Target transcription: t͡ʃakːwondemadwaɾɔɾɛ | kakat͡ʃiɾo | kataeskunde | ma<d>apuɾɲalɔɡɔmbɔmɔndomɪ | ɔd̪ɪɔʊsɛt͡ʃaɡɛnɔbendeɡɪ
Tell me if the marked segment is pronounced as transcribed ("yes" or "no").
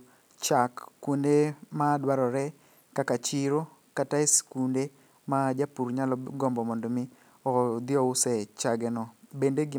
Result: no